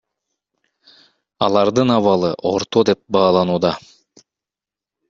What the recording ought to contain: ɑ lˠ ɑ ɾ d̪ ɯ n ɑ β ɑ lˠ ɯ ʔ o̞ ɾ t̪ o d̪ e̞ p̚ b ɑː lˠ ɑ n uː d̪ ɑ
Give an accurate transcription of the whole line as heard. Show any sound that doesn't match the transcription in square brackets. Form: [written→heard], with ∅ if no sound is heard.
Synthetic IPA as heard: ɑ lˠ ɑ ɾ d̪ ɯ n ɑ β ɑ lˠ ɯ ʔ o̞ ɾ t̪ o d̪ e̞ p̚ b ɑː lˠ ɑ n uː d̪ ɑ